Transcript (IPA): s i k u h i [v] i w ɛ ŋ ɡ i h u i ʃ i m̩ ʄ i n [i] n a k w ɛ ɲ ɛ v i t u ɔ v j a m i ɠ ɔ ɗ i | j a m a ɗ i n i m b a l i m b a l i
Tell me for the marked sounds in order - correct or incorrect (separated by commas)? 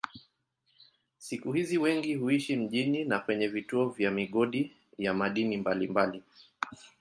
incorrect, correct